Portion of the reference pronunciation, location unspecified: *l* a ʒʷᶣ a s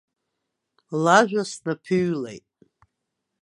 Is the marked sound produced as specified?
yes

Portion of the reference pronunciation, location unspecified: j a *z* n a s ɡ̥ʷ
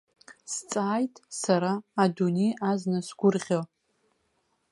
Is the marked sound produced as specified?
yes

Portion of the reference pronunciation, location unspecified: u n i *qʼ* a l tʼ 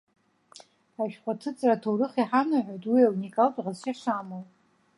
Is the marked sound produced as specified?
no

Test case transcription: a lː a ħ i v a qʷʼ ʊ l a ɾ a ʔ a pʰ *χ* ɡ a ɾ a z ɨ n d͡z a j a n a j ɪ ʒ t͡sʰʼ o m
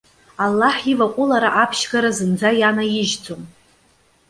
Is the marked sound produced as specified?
no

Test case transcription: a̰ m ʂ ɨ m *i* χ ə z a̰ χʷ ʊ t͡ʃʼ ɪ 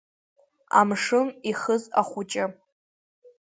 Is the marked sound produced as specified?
yes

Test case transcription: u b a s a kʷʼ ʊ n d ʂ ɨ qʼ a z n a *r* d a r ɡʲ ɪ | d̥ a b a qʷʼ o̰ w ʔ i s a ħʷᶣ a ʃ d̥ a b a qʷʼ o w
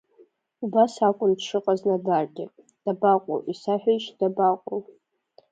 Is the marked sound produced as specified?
no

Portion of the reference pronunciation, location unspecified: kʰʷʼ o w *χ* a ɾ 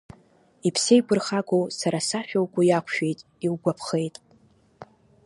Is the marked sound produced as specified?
no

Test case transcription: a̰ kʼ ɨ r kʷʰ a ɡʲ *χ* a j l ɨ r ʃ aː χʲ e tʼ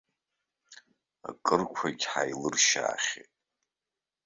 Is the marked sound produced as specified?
no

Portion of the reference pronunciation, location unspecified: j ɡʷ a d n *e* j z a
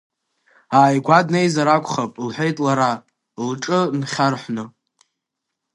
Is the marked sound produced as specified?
yes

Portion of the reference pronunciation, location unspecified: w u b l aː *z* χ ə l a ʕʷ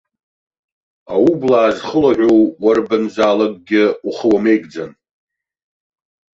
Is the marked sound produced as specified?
yes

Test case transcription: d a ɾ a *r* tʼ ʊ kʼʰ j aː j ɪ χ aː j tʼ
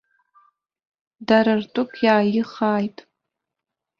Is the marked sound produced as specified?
yes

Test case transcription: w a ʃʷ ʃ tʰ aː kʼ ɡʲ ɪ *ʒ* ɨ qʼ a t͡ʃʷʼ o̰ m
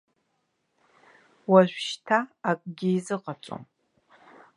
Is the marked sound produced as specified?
no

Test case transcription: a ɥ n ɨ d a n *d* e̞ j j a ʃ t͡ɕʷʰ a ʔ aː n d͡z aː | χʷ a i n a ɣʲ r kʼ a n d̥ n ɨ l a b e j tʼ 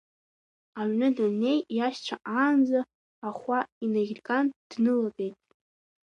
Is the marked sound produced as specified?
no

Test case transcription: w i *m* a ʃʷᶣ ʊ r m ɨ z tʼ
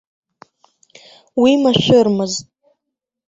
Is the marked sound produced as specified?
yes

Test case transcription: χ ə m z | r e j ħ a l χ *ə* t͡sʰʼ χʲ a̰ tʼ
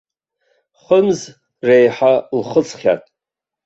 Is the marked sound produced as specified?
yes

